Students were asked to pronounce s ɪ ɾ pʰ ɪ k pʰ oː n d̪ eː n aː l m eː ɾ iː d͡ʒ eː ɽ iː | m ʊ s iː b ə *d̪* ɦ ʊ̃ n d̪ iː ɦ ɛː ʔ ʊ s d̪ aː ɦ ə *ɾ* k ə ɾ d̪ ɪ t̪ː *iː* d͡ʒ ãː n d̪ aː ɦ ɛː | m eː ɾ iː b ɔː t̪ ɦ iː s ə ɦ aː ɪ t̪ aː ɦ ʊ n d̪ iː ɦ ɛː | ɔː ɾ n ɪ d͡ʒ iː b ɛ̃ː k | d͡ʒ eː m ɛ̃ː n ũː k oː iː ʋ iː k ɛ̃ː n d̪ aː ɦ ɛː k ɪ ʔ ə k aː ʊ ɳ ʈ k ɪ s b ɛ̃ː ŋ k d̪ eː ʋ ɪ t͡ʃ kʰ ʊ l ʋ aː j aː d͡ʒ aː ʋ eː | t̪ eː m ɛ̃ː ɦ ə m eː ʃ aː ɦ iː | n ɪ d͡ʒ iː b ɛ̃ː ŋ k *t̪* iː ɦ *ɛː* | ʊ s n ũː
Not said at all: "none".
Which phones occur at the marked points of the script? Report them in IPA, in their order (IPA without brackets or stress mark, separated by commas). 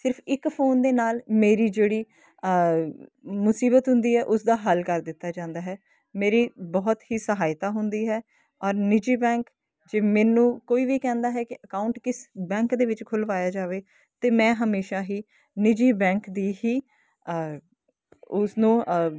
t̪, l, aː, d̪, iː